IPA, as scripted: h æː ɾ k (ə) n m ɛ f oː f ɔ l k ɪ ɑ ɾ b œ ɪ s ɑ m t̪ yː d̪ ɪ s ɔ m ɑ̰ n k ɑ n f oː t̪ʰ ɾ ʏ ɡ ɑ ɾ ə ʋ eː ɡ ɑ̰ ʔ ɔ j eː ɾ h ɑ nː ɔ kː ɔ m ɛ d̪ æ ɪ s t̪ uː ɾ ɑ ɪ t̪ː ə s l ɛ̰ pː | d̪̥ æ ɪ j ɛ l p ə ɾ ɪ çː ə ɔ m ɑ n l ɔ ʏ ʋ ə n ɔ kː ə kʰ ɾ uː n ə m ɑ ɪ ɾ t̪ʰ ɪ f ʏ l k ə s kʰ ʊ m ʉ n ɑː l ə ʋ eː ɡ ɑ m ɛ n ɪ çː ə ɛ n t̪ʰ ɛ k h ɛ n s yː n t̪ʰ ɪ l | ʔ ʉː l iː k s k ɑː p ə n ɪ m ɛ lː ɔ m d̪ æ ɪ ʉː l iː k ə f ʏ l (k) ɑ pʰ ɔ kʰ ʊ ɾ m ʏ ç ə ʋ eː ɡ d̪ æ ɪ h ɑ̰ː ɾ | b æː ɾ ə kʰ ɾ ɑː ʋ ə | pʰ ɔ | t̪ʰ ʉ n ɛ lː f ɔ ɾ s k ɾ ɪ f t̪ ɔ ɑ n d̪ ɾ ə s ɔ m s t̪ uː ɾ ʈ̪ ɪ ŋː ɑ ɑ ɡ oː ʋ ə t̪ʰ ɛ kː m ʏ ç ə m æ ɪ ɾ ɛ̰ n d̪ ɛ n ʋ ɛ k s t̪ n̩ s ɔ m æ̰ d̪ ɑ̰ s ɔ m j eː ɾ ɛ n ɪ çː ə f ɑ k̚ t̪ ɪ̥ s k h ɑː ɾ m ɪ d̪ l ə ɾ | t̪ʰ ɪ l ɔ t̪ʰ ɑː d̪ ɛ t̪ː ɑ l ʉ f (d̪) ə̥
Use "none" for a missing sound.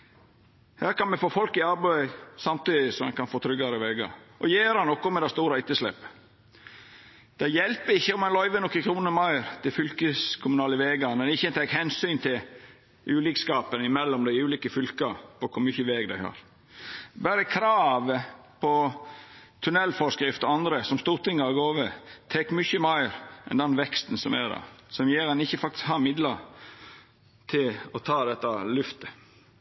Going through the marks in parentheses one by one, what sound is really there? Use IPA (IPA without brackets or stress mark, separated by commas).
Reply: ɑ, k, t̪